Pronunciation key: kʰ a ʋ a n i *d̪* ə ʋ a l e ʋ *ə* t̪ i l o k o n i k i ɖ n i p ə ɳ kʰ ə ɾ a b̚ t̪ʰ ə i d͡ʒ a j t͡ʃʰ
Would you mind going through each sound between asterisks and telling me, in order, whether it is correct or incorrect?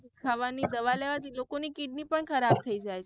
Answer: correct, incorrect

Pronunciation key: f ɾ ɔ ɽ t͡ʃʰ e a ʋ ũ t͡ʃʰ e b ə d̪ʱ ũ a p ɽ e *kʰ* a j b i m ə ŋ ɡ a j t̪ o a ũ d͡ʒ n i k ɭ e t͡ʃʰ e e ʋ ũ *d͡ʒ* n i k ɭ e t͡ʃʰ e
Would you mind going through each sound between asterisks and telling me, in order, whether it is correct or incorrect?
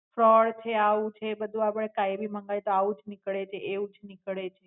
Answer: incorrect, correct

